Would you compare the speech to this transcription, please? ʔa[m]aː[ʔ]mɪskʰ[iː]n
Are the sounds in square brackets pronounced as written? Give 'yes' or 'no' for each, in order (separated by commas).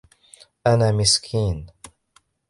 no, no, yes